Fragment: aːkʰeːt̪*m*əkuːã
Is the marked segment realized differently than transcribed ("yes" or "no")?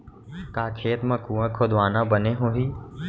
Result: no